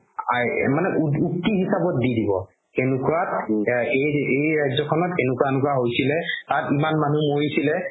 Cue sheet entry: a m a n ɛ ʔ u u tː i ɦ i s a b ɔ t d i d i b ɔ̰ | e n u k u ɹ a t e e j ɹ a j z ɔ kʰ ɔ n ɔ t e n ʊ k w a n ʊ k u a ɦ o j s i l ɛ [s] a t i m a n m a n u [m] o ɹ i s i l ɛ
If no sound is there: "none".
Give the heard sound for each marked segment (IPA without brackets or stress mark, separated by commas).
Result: t, m